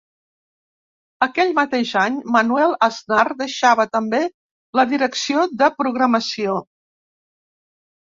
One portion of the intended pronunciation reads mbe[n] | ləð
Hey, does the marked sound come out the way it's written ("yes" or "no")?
no